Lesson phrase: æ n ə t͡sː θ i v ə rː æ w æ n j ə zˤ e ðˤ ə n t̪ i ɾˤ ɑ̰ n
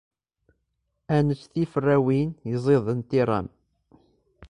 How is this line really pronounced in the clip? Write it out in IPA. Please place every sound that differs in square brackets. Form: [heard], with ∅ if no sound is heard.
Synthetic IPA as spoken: æ n ə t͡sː θ i [f] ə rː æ w [i] n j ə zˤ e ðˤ ə n t̪ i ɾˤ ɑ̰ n